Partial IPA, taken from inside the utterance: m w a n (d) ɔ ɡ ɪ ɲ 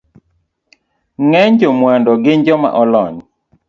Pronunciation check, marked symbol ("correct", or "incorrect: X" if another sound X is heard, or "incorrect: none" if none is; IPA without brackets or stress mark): correct